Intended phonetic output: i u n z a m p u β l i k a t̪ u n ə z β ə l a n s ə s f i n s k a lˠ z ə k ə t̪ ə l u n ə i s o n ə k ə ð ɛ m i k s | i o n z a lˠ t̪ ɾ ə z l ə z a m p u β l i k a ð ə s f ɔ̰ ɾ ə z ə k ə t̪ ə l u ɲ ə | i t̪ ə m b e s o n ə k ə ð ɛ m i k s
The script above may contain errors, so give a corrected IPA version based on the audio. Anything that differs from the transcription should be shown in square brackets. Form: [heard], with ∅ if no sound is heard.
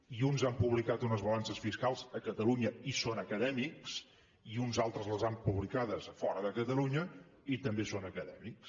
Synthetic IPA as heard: i u n z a m p u β l i k a t̪ u n ə z β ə l a n s ə s f i [∅] s k a lˠ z ə k ə t̪ ə l u [ɲ] ə i s o n ə k ə ð ɛ m i k s | i [u] n z a lˠ t̪ ɾ ə z l ə z a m p u β l i k a ð ə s f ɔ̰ ɾ ə [ð] ə k ə t̪ ə l u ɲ ə | i t̪ ə m b e s o n ə k ə ð ɛ m i k s